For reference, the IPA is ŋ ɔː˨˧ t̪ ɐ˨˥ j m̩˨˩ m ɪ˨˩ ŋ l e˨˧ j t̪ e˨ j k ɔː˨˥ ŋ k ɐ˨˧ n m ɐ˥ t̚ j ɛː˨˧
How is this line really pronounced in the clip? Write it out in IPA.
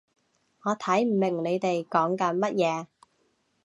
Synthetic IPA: ŋ ɔː˨˧ t̪ʰ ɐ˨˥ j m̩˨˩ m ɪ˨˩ ŋ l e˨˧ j t̪ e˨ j k ɔː˨˥ ŋ k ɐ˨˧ n m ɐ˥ t̚ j ɛː˨˧

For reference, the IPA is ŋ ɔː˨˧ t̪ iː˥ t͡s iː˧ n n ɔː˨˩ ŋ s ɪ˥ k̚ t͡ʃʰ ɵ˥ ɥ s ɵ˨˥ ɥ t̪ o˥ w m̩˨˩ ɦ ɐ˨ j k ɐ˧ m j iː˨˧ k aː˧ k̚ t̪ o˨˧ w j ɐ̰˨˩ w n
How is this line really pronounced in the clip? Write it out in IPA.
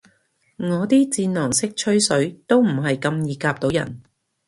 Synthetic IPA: ŋ ɔː˨˧ t̪ iː˥ t͡s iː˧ n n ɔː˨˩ ŋ s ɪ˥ k̚ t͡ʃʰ ɵ˥ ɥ s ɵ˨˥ ɥ t̪ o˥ w m̩˨˩ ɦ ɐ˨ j k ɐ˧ m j iː˨˧ k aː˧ p̚ t̪ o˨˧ w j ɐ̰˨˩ n

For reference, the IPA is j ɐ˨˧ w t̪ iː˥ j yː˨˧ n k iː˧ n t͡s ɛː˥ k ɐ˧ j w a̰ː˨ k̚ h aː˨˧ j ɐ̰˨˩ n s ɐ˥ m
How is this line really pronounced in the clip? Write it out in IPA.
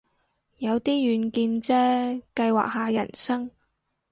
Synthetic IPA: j ɐ˨˧ w t̪ iː˥ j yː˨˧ n k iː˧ n t͡s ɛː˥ k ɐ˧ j w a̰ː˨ k̚ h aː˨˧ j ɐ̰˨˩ n s ɐ˥ ŋ

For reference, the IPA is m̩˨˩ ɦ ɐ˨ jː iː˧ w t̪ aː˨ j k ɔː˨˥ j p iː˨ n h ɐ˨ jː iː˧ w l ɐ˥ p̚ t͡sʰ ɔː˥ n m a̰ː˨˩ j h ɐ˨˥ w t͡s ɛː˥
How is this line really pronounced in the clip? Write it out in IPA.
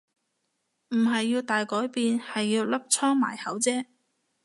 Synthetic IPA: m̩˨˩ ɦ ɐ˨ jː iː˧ w t̪ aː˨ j k ɔː˨˥ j p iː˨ n h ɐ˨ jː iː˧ w l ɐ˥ p̚ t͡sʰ ɔː˥ ŋ m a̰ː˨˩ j h ɐ˨˥ w t͡s ɛː˥

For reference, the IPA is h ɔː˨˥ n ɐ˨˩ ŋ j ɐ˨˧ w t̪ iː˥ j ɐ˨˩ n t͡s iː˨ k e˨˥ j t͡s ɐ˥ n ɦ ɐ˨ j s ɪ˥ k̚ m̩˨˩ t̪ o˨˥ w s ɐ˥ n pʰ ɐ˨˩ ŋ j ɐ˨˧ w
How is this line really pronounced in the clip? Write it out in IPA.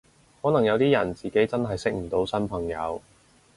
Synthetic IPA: h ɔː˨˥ n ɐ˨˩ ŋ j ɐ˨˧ w t̪ iː˥ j ɐ˨˩ n t͡s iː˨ k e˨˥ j t͡s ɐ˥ n ɦ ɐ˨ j s ɪ˥ k̚ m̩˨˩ t̪ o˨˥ w s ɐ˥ n pʰ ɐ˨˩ ŋ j ɐ˨˧ w

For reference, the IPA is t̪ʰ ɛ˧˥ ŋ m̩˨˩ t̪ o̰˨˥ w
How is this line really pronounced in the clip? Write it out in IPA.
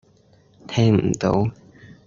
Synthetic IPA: t̪ʰ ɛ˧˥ ŋ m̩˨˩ t̪ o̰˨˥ w

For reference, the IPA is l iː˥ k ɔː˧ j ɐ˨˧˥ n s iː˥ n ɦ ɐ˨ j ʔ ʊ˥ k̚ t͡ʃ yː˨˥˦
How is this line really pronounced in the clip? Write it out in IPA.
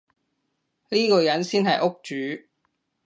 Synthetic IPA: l iː˥ k ɔː˧ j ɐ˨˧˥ n s iː˥ n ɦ ɐ˨ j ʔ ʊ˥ k̚ t͡ʃ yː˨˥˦

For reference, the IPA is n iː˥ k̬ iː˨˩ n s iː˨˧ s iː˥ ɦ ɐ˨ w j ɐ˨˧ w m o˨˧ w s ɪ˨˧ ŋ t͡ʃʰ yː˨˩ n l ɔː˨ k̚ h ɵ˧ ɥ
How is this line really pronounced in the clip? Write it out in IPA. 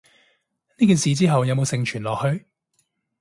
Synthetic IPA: n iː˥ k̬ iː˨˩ n s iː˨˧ t͡s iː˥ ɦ ɐ˨ w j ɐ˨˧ w m o˨˧ w s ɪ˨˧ ŋ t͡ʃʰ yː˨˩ n l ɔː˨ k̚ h ɵ˧ ɥ

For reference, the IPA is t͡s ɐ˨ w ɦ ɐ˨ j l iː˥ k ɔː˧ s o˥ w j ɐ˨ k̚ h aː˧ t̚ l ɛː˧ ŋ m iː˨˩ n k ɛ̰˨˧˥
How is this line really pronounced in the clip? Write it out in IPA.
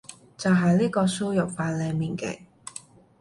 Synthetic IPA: t͡s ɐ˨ w ɦ ɐ˨ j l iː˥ k ɔː˧ s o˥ w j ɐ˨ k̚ f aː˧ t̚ l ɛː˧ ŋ m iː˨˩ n k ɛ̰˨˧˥

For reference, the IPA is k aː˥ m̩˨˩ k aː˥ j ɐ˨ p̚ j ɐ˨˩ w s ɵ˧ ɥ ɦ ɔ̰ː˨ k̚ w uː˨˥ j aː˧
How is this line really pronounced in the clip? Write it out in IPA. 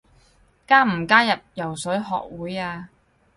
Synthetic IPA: k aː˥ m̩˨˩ k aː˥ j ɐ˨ p̚ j ɐ˨˩ w s ɵ˨˥ ɥ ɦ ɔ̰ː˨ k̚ w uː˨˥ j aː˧

